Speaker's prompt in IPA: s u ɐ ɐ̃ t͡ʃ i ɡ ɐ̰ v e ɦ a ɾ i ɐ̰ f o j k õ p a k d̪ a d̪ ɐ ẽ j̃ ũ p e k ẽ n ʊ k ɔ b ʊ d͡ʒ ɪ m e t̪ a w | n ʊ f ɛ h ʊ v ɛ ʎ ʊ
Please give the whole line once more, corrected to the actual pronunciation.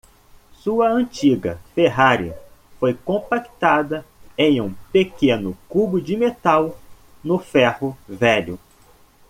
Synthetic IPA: s u ɐ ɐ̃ t͡ʃ i ɡ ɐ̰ f e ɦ a ɾ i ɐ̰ f o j k õ p a k t̪ a d̪ ɐ ẽ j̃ ũ p e k ẽ n ʊ k u b ʊ d͡ʒ ɪ m e t̪ a w | n ʊ f ɛ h ʊ v ɛ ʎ ʊ

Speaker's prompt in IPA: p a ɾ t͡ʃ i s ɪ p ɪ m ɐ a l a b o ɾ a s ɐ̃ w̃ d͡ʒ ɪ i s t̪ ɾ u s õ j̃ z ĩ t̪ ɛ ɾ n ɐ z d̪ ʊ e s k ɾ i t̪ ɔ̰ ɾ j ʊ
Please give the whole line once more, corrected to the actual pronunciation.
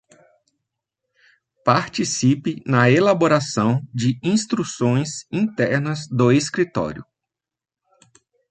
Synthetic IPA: p a ɾ t͡ʃ i s i p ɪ n ɐ e l a b o ɾ a s ɐ̃ w̃ d͡ʒ ɪ ĩ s t̪ ɾ u s õ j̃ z ĩ t̪ ɛ ɾ n ɐ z d̪ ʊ e s k ɾ i t̪ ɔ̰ ɾ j ʊ

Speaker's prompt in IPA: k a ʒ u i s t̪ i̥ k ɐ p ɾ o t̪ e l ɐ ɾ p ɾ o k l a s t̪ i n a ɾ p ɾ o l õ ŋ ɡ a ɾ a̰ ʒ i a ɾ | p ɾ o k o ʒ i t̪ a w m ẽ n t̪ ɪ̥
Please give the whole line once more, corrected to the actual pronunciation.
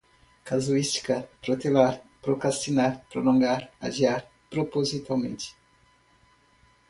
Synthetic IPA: k a z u i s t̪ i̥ k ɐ p ɾ o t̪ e l a ɾ p ɾ o k ɾ a s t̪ i n a ɾ p ɾ o l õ ŋ ɡ a ɾ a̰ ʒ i a ɾ | p ɾ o p o z i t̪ a w m ẽ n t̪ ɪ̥

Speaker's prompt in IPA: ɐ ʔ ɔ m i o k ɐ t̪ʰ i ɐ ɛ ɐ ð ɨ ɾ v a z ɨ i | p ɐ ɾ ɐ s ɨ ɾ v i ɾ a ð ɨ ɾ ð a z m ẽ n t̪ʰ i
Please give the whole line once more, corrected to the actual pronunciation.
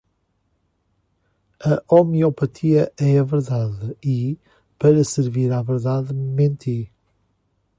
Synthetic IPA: ɐ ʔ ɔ m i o p ɐ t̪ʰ i ɐ ɛ ɐ v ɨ ɾ ð a ð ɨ i | p ɐ ɾ ɐ s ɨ ɾ v i ɾ a v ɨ ɾ ð a ð m ẽ n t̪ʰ i

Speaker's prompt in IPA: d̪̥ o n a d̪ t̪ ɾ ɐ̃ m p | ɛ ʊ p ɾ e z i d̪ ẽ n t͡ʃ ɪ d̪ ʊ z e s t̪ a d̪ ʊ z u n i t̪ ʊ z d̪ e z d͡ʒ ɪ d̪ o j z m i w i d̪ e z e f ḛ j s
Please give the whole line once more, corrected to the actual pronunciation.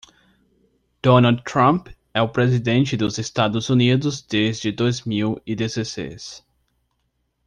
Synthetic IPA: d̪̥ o n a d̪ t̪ ɾ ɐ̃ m p | ɛ ʊ p ɾ e z i d̪ ẽ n t͡ʃ ɪ d̪ ʊ z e s t̪ a d̪ ʊ z u n i d̪ ʊ z d̪ e z d͡ʒ ɪ d̪ o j z m i w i d̪ e z e s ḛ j s

